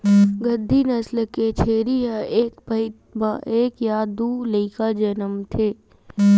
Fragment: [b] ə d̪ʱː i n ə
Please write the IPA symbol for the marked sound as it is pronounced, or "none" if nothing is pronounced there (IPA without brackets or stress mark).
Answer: ɡ